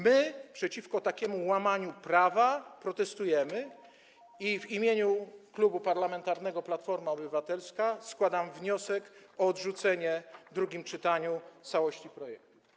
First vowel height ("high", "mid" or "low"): mid